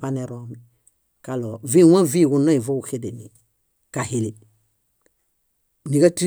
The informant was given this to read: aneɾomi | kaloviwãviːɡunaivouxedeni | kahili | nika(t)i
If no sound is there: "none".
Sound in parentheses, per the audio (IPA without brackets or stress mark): t